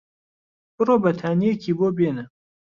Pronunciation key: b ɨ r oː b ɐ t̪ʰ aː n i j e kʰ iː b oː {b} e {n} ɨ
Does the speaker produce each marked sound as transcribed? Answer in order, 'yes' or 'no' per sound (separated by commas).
yes, yes